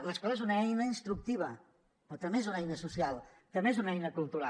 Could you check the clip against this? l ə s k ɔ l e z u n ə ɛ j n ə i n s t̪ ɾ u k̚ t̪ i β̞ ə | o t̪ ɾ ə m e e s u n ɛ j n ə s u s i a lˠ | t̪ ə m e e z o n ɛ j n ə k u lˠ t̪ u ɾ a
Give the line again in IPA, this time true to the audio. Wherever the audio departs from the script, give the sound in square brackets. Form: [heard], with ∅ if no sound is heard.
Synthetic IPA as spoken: l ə s k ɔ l e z u n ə ɛ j n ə i n s t̪ ɾ u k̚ t̪ i β̞ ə | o t̪ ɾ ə m e e [z] u n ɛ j n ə s u s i a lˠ | t̪ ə m e e z [u] n ɛ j n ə k u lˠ t̪ u ɾ a